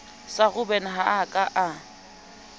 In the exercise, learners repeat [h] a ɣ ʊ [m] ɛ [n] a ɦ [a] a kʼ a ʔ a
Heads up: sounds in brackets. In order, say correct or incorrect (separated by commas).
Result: incorrect, incorrect, correct, correct